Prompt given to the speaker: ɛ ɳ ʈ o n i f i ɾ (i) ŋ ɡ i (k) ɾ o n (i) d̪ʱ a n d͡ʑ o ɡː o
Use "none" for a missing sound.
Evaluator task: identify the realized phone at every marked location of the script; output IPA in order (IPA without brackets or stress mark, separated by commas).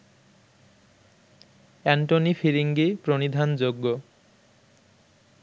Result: i, p, i